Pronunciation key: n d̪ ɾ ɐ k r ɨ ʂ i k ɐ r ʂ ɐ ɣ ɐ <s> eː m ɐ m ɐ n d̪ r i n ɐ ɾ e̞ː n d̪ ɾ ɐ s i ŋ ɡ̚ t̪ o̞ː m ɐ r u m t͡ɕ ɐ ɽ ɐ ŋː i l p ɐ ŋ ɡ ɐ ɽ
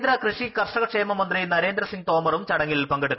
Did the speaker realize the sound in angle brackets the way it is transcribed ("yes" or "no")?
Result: no